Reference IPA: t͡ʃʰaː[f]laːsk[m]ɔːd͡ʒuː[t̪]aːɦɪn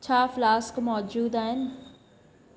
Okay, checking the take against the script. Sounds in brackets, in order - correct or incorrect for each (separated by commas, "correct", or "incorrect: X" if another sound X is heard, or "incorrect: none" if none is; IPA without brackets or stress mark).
correct, correct, incorrect: d̪